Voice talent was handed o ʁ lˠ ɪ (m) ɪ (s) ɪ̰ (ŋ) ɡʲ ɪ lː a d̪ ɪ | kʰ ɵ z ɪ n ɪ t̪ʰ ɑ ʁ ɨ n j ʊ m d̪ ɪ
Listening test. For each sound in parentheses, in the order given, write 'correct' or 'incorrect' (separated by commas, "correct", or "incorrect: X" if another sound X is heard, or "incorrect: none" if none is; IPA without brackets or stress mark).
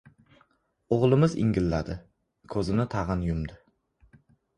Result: correct, incorrect: z, correct